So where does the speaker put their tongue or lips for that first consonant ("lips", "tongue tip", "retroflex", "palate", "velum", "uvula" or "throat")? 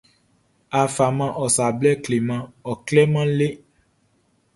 lips